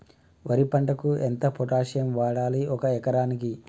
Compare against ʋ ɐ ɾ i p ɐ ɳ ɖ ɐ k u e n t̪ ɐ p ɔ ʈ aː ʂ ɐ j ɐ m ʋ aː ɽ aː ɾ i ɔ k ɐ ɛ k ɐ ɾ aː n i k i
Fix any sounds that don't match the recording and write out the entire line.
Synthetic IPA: ʋ ɐ ɾ i p ɐ ɳ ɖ ɐ k u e n t̪ ɐ p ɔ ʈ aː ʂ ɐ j ɐ m ʋ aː ɽ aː l i ɔ k ɐ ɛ k ɐ ɾ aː n i k i